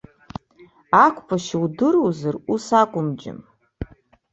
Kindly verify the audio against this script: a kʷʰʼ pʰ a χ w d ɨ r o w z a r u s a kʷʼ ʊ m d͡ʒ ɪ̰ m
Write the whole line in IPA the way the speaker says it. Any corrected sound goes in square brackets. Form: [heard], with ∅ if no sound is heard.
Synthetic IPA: a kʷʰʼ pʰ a [ʃ] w d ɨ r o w z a r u s a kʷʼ ʊ m d͡ʒ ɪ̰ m

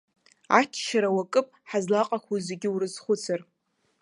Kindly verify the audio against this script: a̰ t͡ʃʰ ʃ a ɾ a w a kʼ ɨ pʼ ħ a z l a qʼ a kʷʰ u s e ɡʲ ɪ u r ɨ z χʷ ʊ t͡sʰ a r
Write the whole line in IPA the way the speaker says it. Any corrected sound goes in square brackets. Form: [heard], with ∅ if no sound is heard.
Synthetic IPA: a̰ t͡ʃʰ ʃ a ɾ a w a kʼ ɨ pʼ ħ a z l a qʼ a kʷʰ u [z] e ɡʲ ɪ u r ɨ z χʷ ʊ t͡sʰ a r

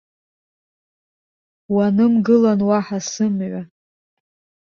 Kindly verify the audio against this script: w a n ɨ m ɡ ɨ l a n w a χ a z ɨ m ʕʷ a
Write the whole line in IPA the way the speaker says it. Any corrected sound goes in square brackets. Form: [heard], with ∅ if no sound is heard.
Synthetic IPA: w a n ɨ m ɡ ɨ l a n w a [ħ] a [s] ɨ m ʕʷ a

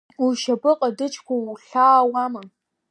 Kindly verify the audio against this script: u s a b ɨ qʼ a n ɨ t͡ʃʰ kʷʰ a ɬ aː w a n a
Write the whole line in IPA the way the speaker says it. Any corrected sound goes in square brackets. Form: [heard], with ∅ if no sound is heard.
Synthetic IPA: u [ʃ] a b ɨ qʼ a [d] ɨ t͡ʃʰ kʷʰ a ɬ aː w a [m] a

